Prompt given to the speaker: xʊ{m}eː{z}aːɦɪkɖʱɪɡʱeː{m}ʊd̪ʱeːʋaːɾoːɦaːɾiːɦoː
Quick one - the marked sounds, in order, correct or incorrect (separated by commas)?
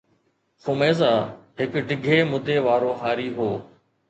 correct, correct, correct